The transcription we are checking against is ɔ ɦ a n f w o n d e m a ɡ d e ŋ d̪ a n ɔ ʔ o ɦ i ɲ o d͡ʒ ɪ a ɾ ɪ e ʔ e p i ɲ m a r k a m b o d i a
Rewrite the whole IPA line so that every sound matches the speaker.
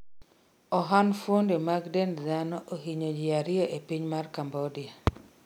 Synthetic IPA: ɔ ɦ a n f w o n d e m a ɡ d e n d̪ a n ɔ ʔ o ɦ i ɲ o d͡ʒ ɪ a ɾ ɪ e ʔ e p i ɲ m a r k a m b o d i a